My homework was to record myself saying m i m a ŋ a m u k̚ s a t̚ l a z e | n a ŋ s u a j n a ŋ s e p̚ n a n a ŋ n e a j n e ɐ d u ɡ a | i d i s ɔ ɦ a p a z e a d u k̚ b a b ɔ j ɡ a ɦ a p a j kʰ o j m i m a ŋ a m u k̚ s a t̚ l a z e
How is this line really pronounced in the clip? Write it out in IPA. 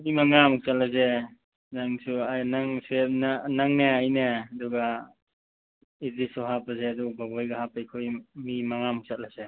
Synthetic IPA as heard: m i m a ŋ a m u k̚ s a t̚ l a z e | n a ŋ s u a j n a ŋ s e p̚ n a n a ŋ n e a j n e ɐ d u ɡ a | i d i s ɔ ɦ a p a z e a d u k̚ b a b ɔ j ɡ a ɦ a p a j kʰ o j m i m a ŋ a m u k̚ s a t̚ l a z e